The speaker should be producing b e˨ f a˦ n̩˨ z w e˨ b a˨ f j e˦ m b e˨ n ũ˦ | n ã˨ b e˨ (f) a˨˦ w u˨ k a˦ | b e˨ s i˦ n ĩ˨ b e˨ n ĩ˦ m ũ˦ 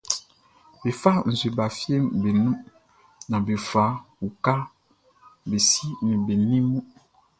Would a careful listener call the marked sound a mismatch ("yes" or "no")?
no